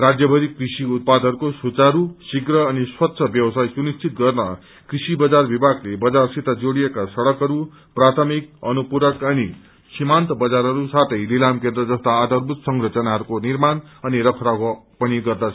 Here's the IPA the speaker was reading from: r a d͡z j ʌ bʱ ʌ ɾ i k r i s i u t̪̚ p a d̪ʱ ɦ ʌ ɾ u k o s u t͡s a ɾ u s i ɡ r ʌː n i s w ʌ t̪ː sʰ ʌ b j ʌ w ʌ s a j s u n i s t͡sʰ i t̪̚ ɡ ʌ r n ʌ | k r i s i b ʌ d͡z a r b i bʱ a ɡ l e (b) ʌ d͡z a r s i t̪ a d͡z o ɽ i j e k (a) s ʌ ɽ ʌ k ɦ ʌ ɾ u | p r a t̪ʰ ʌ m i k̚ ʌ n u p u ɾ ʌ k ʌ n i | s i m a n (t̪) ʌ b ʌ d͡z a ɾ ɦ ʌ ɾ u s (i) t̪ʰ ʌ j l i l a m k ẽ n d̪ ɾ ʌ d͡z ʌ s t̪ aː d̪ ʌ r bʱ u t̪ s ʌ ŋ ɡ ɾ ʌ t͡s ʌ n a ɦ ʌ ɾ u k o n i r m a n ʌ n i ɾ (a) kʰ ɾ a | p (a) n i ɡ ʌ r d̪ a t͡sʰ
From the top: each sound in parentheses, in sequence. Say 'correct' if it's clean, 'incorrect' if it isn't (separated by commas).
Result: correct, correct, correct, incorrect, incorrect, incorrect